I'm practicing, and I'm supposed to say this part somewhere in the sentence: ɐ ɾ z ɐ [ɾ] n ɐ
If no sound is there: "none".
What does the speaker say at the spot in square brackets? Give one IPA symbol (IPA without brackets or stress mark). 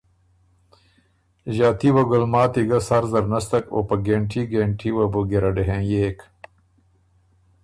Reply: ɾ